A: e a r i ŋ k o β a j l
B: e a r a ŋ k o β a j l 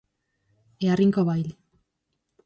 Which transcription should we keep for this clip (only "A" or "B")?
A